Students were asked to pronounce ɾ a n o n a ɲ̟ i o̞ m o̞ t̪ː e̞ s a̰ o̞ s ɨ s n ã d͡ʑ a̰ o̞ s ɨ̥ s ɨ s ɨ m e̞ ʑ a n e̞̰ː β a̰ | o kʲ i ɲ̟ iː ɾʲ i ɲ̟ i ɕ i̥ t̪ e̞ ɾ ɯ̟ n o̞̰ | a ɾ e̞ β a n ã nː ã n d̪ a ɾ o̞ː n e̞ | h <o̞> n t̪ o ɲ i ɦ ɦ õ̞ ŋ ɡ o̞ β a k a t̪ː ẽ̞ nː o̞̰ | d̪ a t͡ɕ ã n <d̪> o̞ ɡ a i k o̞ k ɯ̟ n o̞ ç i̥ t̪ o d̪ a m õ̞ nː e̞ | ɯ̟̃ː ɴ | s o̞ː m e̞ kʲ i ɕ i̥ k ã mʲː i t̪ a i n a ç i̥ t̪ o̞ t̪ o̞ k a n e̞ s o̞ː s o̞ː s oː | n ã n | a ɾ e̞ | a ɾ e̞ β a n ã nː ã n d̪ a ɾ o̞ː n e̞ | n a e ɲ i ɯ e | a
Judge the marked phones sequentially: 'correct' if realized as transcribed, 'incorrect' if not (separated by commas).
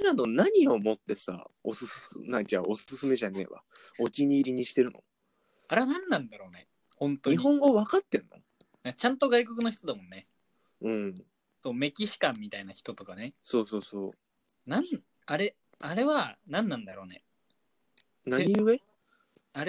incorrect, incorrect